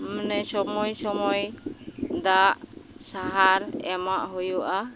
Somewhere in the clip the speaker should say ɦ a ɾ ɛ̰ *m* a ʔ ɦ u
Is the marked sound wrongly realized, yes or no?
no